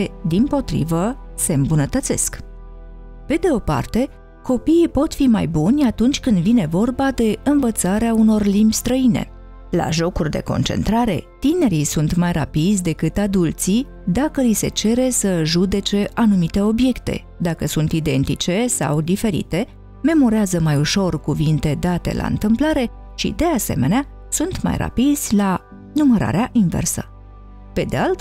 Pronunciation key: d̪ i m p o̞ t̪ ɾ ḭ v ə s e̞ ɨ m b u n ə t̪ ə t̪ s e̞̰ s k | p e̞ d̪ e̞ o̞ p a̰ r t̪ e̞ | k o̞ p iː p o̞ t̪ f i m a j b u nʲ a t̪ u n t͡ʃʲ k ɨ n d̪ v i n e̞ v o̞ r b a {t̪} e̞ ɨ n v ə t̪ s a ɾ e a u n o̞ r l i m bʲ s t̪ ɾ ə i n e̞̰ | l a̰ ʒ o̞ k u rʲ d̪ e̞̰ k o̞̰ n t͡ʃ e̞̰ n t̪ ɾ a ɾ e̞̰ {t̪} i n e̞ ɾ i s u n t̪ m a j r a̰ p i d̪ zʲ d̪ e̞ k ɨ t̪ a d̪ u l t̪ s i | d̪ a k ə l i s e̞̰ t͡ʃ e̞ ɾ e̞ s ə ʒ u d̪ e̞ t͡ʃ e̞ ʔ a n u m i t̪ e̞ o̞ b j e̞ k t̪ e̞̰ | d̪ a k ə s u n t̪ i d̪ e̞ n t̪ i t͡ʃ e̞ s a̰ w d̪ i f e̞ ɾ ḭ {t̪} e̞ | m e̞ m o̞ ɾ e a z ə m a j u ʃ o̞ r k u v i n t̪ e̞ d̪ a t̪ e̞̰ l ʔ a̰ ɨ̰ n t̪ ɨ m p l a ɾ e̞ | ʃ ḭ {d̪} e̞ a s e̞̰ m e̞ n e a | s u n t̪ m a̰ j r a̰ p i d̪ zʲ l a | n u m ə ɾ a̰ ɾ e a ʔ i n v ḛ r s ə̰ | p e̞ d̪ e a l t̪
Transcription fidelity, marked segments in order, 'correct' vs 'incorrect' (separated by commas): incorrect, correct, correct, correct